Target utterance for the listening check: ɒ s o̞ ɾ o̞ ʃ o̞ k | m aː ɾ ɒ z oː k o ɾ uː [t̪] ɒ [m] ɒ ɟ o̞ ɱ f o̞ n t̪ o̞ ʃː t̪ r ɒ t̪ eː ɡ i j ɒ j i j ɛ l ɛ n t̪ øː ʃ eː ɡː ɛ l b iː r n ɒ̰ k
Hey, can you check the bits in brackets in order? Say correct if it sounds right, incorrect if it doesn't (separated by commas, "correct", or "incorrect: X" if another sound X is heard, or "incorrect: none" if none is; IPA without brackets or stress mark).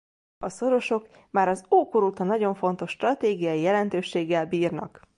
correct, incorrect: n